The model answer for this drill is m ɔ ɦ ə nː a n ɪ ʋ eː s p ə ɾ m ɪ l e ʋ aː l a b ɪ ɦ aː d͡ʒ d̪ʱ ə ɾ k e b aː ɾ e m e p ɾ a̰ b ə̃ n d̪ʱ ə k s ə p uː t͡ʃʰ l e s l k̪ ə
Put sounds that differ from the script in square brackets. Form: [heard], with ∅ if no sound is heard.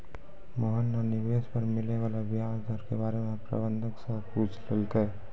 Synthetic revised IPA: m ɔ ɦ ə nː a n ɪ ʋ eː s p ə ɾ m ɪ l e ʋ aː l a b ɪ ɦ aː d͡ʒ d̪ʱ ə ɾ k e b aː ɾ e m e p ɾ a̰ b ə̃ n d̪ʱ ə k s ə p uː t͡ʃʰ l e [∅] l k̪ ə

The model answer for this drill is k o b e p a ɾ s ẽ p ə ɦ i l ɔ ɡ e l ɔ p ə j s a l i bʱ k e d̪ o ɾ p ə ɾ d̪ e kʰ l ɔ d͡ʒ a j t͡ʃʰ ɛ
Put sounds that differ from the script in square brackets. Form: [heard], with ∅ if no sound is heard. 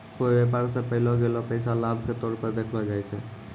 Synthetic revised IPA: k o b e p a ɾ s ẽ p ə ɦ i l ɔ ɡ e l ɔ p ə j s a l [a] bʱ k e [t̪] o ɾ p ə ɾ d̪ e kʰ l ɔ d͡ʒ a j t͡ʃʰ ɛ

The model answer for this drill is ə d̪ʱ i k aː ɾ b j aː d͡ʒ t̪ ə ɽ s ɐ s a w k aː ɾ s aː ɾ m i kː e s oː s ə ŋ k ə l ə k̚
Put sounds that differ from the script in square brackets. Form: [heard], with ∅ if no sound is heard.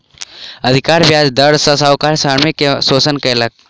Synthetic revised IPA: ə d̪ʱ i k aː ɾ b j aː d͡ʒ [d̪] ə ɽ s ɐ s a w k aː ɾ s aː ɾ m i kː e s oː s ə [n] k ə l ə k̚

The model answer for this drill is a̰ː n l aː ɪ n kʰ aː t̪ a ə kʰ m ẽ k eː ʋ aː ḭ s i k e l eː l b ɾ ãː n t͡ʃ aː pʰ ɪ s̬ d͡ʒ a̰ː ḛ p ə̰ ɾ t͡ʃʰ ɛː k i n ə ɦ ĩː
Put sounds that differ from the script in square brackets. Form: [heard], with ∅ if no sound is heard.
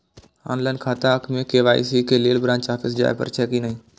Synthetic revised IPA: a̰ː n l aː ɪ n kʰ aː t̪ a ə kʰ m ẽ k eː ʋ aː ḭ s i k e l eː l b ɾ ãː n t͡ʃ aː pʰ ɪ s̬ d͡ʒ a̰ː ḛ p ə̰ ɾ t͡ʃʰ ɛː k i n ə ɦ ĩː

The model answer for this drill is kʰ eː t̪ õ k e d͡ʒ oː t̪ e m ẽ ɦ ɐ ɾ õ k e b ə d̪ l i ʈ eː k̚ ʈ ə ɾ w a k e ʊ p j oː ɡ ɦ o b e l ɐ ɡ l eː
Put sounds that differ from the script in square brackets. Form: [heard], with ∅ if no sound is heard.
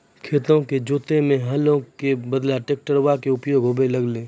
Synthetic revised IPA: kʰ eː t̪ õ k e d͡ʒ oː t̪ e m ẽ ɦ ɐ [l] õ k e b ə d̪ l [a] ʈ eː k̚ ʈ ə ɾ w a k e ʊ p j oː ɡ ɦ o b e l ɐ ɡ l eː

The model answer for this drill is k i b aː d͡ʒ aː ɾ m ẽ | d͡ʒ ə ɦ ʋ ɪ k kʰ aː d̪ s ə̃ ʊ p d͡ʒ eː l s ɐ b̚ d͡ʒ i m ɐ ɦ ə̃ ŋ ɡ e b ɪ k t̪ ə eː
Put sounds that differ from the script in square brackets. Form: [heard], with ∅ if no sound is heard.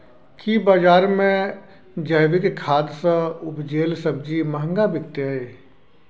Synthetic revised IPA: k i b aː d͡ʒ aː ɾ m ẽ | d͡ʒ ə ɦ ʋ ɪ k kʰ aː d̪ s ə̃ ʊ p d͡ʒ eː l s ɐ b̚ d͡ʒ i m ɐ ɦ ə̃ ŋ ɡ [a] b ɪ k t̪ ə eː

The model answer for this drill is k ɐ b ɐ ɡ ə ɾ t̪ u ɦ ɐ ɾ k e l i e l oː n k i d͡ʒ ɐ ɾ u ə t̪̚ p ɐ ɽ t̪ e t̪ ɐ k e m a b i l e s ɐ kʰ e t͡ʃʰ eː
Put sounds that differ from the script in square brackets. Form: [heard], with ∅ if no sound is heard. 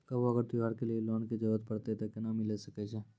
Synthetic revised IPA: k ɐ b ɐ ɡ ə ɾ t̪ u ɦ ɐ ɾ k e l i e l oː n k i d͡ʒ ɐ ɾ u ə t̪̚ p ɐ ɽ t̪ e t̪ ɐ k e [n] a [m] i l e s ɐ [k] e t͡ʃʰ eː

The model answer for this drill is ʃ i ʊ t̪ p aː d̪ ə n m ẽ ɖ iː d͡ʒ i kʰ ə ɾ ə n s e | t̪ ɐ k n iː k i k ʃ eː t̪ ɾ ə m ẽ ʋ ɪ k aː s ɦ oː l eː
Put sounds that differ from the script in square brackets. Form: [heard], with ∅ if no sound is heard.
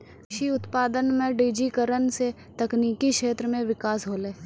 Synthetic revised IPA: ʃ i ʊ t̪ p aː d̪ ə n m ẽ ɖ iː d͡ʒ i [k] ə ɾ ə n s e | t̪ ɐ k n iː k i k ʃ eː t̪ ɾ ə m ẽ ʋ ɪ k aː s ɦ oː l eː

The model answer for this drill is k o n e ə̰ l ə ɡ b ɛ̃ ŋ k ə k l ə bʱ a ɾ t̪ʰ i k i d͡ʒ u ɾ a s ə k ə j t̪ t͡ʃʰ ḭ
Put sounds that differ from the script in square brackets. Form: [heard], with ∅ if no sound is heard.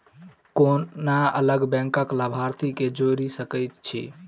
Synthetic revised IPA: k o n [a] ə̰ l ə ɡ b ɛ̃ ŋ k ə k l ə bʱ a ɾ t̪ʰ i k [e] d͡ʒ [o] ɾ [i] s ə k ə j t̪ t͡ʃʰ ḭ

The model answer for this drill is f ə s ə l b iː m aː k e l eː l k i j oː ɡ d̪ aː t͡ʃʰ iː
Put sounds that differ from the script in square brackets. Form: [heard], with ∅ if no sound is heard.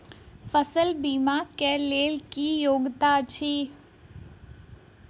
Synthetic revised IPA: f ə s ə l b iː m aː k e l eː l k i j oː ɡ [t̪] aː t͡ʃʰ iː

